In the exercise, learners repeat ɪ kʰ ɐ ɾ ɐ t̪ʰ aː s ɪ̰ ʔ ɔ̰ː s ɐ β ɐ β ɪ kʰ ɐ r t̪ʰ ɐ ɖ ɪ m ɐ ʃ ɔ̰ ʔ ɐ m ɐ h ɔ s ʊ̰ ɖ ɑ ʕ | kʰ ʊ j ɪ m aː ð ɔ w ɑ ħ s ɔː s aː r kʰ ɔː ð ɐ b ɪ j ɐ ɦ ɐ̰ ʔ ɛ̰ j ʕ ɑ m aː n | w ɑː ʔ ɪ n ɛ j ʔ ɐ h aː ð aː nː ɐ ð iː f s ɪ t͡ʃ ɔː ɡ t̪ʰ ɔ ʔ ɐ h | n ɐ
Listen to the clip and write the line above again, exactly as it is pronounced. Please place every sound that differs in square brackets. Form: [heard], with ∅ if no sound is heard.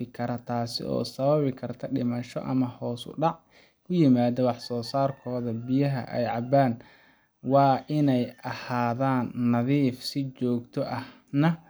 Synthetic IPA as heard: ɪ kʰ ɐ ɾ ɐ t̪ʰ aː s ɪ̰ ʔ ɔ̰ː s ɐ β ɐ β ɪ kʰ ɐ r t̪ʰ ɐ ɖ ɪ m ɐ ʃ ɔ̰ ʔ ɐ m ɐ h [ɔː] s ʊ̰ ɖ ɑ ʕ | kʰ ʊ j ɪ m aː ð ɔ w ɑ ħ s ɔː s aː r kʰ ɔː ð ɐ b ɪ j ɐ ɦ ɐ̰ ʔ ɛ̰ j ʕ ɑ [b] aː n | w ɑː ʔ ɪ n ɛ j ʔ ɐ h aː ð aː nː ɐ ð iː f s ɪ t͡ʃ ɔː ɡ t̪ʰ ɔ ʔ ɐ h | n ɐ